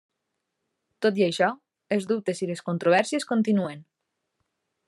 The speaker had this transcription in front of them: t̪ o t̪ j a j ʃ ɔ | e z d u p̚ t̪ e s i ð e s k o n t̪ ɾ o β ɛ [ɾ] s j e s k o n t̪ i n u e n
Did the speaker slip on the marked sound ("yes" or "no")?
no